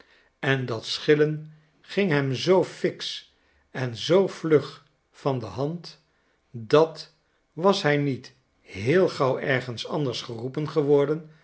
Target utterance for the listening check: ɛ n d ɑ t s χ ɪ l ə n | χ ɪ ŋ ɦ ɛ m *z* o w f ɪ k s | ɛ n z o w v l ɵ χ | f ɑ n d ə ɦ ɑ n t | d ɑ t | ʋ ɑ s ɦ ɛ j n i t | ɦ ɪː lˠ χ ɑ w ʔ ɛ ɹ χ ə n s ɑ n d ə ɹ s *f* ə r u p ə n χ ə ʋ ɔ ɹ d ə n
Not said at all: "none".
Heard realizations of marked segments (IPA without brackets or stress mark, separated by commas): z, χ